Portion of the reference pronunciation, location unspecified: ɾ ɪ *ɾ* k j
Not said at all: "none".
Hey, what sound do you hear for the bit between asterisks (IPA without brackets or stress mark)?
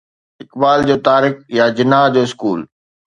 none